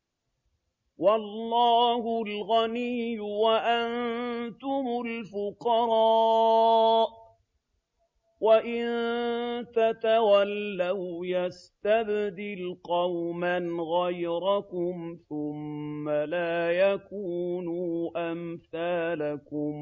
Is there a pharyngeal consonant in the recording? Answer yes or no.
no